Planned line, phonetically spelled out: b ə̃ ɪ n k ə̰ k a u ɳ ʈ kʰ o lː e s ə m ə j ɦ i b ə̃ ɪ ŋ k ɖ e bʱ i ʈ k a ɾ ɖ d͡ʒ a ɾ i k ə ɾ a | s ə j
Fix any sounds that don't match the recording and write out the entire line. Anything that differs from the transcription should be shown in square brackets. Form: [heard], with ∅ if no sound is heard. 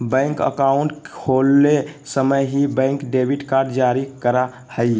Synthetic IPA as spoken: b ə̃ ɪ [ŋ] k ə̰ k a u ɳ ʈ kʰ o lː e s ə m ə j ɦ i b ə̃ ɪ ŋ k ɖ e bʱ i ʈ k a ɾ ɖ d͡ʒ a ɾ i k ə ɾ a | [h] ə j